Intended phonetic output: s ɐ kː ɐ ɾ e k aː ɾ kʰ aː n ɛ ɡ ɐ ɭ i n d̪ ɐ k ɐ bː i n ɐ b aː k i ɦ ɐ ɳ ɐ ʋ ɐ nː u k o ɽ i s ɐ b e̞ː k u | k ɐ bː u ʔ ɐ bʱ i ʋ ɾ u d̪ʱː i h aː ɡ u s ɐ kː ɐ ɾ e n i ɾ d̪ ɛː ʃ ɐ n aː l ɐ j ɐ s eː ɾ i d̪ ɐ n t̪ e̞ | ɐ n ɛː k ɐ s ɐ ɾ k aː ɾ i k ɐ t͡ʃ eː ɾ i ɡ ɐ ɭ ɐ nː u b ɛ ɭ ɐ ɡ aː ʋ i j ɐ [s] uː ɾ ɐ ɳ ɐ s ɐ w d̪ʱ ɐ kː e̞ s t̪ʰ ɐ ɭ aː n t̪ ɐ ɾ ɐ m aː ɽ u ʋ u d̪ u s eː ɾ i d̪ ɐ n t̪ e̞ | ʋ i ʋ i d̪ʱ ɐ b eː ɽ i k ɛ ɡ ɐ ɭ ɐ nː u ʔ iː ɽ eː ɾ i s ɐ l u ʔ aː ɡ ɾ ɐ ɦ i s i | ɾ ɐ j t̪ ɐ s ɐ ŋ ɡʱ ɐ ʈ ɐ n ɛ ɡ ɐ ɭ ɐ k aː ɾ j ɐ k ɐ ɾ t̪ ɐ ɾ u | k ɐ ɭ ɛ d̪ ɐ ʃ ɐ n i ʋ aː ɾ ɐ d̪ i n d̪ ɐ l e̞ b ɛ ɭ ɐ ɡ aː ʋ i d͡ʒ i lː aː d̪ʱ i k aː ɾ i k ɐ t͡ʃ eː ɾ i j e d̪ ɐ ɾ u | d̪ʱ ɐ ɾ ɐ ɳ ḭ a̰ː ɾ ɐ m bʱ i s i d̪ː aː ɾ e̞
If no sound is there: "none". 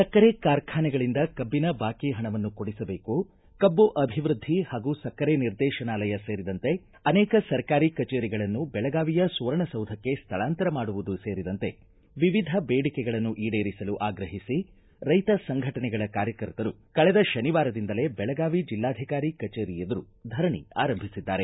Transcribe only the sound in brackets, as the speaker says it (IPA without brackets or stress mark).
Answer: s